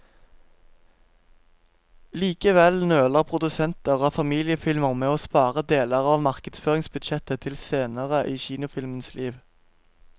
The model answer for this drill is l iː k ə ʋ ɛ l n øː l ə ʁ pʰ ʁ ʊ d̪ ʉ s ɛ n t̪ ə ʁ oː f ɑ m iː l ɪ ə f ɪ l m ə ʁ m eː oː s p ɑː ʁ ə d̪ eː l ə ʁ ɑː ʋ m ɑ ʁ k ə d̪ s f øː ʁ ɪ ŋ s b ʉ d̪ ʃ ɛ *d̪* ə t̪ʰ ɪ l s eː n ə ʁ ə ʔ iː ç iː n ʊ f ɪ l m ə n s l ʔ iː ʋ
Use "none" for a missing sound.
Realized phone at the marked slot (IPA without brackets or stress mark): t̪